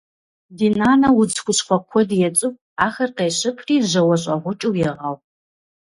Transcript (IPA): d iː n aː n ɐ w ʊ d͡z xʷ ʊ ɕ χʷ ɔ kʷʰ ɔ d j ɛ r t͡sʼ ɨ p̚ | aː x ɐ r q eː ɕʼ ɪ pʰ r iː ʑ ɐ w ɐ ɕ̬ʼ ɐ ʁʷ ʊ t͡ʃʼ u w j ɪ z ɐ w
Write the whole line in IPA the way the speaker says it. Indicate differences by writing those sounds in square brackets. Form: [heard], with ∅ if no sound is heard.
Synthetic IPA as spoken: d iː n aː n ɐ w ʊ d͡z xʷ ʊ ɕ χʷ ɔ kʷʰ ɔ d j ɛ [∅] t͡sʼ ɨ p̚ | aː x ɐ r q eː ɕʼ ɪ pʰ r iː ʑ ɐ w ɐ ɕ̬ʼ ɐ ʁʷ ʊ t͡ʃʼ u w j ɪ [ʁ] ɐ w